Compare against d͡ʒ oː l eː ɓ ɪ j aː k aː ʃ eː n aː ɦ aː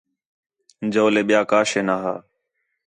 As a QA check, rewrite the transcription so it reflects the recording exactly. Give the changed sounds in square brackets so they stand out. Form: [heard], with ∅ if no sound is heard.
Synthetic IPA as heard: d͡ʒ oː l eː ɓ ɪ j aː k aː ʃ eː n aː ɦ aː